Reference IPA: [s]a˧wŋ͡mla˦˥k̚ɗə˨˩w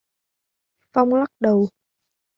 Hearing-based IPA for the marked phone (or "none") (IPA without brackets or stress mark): f